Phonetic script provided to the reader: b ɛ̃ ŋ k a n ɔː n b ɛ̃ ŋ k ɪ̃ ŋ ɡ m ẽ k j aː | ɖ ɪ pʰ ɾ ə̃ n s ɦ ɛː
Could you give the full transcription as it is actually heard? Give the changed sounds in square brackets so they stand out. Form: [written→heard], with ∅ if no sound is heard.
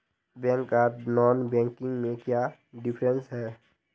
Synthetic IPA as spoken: b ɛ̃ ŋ k a n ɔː n b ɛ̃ ŋ k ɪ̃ ŋ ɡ m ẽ k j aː | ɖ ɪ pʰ ɾ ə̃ n s ɦ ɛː